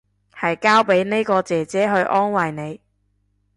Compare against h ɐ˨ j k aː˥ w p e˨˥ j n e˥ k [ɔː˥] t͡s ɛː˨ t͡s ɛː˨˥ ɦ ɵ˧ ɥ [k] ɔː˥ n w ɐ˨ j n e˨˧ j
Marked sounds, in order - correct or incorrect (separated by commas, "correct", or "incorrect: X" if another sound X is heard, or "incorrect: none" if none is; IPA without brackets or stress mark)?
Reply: incorrect: ɔː˧, incorrect: ʔ